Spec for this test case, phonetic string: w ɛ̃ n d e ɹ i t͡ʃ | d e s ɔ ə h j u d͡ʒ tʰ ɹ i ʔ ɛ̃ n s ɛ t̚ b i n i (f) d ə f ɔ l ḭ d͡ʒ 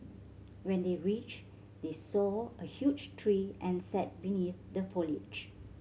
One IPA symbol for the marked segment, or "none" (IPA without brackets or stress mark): θ